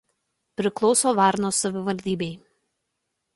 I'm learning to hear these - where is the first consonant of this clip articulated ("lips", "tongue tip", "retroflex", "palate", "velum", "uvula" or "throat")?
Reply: lips